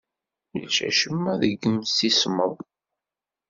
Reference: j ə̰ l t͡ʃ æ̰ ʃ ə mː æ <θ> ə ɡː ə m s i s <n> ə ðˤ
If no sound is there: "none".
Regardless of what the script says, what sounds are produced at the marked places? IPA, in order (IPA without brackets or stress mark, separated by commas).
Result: ð, m